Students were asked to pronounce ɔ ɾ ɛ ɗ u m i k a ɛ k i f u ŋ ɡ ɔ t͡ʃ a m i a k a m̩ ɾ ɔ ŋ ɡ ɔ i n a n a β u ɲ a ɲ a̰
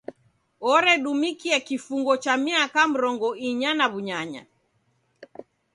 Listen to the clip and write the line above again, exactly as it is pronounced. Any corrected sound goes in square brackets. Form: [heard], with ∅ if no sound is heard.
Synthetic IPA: ɔ ɾ ɛ ɗ u m i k [i] ɛ k i f u ŋ ɡ ɔ t͡ʃ a m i a k a m̩ ɾ ɔ ŋ ɡ ɔ i [ɲ] a n a β u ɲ a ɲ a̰

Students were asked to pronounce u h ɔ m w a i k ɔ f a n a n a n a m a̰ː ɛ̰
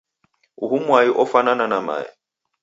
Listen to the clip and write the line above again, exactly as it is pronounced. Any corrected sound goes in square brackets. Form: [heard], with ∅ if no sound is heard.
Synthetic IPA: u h [u] m w a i [ʔ] ɔ f a n a n a n a m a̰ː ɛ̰

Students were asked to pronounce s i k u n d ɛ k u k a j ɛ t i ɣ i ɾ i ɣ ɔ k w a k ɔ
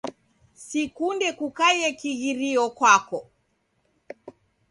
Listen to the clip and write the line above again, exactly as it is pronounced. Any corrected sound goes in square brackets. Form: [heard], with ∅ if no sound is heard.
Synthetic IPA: s i k u n d ɛ k u k a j ɛ [k] i ɣ i ɾ i [∅] ɔ k w a k ɔ

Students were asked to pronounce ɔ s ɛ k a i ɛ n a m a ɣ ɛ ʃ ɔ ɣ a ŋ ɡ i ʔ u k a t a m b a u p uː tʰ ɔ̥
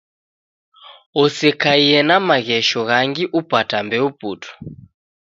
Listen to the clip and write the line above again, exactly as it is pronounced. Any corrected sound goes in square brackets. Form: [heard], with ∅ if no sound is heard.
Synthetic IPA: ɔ s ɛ k a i ɛ n a m a ɣ ɛ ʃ ɔ ɣ a ŋ ɡ i ʔ u [p] a t a m b [ɛ] u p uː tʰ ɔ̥

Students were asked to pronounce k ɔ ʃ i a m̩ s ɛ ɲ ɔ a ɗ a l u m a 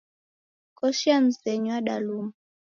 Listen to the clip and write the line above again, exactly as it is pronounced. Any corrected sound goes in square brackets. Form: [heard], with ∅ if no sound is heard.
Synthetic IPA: k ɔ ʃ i a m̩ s ɛ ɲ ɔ a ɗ a l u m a

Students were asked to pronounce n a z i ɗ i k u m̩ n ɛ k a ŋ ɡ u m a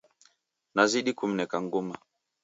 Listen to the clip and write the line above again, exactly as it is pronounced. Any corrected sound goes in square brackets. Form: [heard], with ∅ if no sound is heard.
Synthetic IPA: n a z i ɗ i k u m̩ n ɛ k a ŋ ɡ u m a

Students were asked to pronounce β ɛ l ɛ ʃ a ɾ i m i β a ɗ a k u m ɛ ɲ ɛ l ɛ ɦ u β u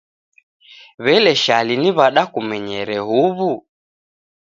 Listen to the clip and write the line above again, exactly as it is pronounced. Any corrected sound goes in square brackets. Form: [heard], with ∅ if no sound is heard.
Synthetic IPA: β ɛ l ɛ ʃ a [l] i [n] i β a ɗ a k u m ɛ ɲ ɛ [ɾ] ɛ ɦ u β u

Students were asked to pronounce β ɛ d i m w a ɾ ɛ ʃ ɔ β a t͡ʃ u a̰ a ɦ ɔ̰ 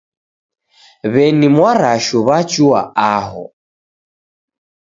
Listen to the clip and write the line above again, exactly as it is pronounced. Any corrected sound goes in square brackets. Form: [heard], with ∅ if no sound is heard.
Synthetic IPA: β ɛ [n] i m w a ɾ [a] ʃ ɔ β a t͡ʃ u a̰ a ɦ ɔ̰

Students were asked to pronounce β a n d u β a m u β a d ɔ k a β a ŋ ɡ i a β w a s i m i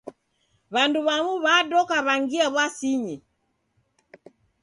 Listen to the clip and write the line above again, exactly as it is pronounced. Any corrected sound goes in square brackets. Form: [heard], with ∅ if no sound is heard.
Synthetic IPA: β a n d u β a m u β a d ɔ k a β a ŋ ɡ i a β w a s i [ɲ] i

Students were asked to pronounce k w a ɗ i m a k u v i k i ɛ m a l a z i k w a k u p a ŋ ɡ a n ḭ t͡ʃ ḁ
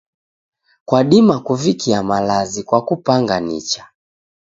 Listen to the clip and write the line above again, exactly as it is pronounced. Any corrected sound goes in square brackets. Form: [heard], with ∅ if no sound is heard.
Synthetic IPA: k w a ɗ i m a k u v i k i [a] m a l a z i k w a k u p a ŋ ɡ a n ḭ t͡ʃ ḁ

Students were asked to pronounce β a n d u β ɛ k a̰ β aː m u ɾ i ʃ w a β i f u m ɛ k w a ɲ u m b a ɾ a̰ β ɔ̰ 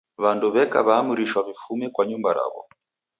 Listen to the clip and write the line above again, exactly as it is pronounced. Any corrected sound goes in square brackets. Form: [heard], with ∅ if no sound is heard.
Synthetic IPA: β a n d u β ɛ k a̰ β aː m u ɾ i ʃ w a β i f u m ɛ k w a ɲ u m b a ɾ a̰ β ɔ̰

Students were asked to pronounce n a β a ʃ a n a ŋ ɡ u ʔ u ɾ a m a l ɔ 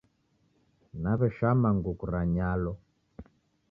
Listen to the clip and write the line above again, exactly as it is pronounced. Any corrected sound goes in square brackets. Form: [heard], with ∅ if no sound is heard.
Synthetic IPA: n a β [ɛ] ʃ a [m] a ŋ ɡ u [k] u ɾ a [ɲ] a l ɔ

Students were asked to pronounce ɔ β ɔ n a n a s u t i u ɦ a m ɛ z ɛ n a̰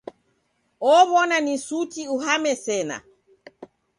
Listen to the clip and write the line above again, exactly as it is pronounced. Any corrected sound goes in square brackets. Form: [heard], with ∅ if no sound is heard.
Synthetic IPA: ɔ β ɔ n a n [i] s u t i u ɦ a m ɛ [s] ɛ n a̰

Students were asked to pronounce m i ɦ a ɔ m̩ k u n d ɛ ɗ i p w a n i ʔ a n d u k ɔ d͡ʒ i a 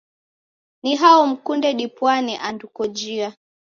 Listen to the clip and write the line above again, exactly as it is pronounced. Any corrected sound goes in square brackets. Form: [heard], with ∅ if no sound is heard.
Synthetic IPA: [n] i ɦ a ɔ m̩ k u n d ɛ ɗ i p w a n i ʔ a n d u k ɔ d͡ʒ i a

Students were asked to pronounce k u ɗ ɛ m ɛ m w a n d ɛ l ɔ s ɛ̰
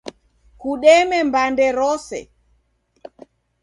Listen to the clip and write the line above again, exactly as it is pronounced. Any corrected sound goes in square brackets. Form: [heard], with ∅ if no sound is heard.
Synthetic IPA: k u ɗ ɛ m ɛ m [b] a n d ɛ [ɾ] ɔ s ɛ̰

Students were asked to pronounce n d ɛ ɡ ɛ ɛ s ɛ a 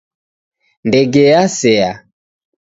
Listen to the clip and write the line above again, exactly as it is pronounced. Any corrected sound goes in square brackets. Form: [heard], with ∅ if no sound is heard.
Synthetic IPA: n d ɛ ɡ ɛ [a] s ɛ a

